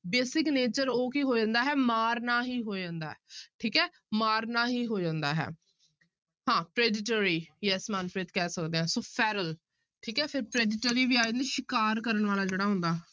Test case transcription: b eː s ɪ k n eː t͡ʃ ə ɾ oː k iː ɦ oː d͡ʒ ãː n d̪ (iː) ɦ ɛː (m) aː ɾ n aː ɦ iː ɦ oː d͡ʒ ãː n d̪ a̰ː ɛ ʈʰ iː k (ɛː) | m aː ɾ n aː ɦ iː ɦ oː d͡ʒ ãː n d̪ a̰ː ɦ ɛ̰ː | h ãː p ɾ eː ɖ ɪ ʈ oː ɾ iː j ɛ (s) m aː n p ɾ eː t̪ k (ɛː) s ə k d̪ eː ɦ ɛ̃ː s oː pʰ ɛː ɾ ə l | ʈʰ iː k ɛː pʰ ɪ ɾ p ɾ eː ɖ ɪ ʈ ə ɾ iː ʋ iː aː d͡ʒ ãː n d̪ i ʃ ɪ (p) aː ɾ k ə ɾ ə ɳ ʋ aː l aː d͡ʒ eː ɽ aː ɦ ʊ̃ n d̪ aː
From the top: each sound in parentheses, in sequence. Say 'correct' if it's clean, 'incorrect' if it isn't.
incorrect, correct, correct, correct, correct, incorrect

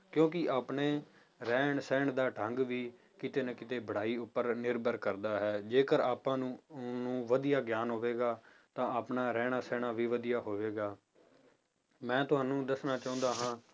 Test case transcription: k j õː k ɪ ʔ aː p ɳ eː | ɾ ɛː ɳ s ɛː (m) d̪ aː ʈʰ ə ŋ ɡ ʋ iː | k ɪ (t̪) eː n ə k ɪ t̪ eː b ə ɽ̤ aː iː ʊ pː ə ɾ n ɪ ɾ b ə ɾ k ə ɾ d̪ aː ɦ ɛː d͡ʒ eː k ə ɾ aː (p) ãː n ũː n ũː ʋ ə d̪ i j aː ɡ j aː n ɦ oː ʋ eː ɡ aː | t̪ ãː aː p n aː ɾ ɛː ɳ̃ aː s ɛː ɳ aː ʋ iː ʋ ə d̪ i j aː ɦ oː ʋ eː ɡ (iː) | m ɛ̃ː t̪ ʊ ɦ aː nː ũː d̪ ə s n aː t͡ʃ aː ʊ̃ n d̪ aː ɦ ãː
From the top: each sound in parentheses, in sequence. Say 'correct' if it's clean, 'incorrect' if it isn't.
incorrect, correct, correct, incorrect

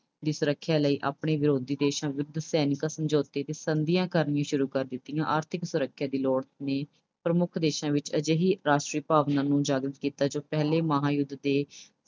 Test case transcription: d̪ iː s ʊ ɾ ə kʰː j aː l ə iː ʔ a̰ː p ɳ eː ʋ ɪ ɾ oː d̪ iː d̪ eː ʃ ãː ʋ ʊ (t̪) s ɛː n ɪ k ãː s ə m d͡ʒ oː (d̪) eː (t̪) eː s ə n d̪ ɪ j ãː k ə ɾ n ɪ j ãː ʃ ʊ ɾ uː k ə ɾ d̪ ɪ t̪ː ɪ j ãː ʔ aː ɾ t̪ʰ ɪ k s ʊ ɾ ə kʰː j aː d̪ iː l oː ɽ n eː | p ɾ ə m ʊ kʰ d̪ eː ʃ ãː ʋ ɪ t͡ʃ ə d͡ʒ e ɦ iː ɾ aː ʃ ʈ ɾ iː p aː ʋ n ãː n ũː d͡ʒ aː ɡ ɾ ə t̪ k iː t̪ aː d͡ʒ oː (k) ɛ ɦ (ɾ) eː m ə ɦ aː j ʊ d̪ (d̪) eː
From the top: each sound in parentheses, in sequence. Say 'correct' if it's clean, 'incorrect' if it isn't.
incorrect, incorrect, correct, incorrect, incorrect, correct

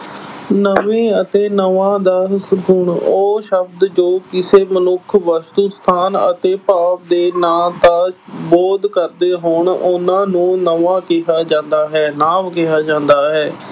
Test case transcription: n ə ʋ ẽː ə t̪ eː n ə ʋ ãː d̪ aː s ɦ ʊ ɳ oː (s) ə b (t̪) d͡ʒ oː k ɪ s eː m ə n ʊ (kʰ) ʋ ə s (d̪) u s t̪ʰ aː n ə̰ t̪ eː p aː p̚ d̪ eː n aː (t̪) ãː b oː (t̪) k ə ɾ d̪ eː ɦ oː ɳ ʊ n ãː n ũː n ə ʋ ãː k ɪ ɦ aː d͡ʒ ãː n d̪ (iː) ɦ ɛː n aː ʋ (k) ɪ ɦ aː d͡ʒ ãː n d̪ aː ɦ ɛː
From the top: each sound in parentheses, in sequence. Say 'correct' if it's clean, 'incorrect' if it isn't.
incorrect, incorrect, correct, incorrect, correct, incorrect, incorrect, correct

